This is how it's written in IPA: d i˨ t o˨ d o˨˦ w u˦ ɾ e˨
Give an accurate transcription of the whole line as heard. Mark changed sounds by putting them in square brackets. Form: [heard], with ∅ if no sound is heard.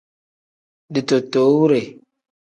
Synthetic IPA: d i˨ t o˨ [t] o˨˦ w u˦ ɾ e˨